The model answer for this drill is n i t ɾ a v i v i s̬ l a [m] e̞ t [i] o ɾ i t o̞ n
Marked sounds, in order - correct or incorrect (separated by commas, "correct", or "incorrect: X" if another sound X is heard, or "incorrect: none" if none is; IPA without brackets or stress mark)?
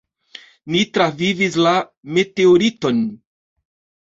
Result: correct, incorrect: e